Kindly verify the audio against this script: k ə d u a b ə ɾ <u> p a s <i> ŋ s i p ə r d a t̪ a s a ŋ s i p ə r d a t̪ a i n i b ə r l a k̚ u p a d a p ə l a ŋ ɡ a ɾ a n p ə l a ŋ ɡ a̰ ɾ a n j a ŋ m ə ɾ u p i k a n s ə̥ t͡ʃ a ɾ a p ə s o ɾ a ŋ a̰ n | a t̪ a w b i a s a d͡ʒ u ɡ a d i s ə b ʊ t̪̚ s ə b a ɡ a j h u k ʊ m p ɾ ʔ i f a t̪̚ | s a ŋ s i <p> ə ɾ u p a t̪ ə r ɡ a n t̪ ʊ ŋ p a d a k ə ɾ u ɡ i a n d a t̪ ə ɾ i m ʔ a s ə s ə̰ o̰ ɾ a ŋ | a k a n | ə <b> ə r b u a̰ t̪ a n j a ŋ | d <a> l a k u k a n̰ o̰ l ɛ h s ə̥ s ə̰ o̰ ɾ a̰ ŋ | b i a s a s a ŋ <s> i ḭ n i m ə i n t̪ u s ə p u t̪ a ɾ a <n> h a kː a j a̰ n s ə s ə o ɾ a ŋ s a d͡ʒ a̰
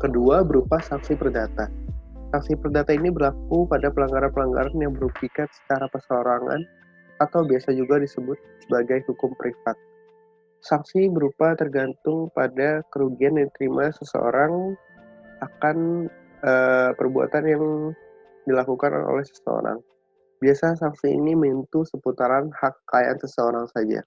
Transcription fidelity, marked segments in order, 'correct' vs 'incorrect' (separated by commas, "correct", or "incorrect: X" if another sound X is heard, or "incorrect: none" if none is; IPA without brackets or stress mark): correct, incorrect: a, incorrect: b, incorrect: p, incorrect: i, correct, correct